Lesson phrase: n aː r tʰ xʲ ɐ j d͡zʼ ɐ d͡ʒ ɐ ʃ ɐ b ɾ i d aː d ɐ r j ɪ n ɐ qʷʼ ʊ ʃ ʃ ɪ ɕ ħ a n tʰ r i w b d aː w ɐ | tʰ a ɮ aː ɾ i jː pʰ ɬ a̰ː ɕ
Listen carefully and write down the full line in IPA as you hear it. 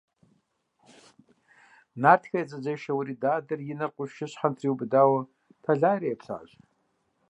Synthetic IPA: n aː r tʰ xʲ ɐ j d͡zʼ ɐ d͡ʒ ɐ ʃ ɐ w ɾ i d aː d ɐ r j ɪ n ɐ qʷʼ ʊ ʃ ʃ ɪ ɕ ħ a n tʰ r i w b d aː w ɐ | tʰ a ɮ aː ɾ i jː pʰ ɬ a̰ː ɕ